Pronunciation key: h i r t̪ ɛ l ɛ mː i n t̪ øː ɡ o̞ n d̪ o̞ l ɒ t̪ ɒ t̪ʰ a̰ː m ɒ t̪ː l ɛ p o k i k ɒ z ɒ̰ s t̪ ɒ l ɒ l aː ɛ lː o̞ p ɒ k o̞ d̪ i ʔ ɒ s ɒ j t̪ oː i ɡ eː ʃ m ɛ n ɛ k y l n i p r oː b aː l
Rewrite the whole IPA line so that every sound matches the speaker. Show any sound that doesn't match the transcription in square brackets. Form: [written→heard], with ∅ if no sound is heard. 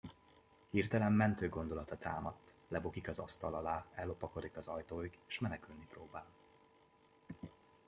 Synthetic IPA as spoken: h i r t̪ ɛ l ɛ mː [i→ɛ] n t̪ øː ɡ o̞ n d̪ o̞ l ɒ t̪ ɒ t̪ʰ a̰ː m ɒ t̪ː l ɛ [p→b] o k i k ɒ z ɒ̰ s t̪ ɒ l ɒ l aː ɛ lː o̞ p ɒ k o̞ d̪ i [ʔ→k] ɒ [s→z] ɒ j t̪ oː i ɡ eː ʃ m ɛ n ɛ k y l n i p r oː b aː l